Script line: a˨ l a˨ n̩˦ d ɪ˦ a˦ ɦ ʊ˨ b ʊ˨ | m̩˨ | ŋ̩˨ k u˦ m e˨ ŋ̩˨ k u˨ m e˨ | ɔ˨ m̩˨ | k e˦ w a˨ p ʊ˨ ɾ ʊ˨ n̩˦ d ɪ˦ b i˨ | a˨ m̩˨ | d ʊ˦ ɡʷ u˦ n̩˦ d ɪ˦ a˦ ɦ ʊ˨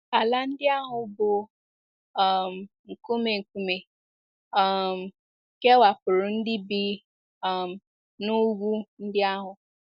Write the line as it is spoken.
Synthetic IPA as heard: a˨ l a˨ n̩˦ d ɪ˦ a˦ ɦ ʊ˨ b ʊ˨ | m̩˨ | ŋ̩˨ k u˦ m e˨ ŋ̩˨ k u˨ m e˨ | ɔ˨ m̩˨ | k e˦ w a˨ p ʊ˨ ɾ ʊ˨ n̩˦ d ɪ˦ b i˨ | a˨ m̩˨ | n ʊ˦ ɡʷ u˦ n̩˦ d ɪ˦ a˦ ɦ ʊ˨